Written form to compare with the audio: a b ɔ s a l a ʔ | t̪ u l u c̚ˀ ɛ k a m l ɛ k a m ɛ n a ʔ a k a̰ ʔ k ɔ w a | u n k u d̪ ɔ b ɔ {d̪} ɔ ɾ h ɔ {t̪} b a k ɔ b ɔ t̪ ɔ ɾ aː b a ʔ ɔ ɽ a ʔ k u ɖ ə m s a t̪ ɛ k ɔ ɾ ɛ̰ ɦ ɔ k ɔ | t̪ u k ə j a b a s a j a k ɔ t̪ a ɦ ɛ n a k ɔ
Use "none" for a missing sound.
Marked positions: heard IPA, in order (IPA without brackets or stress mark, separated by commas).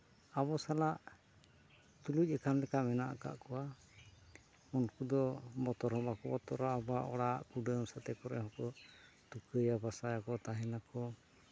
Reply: t̪, none